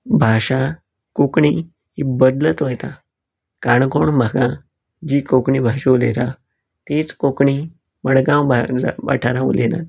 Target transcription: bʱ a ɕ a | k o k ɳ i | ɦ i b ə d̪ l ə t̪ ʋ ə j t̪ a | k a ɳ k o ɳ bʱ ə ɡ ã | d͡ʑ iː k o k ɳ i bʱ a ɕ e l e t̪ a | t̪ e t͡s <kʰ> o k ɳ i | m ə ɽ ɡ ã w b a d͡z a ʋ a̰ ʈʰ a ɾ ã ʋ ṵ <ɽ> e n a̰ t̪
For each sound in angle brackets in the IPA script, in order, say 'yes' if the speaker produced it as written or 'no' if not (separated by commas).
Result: no, no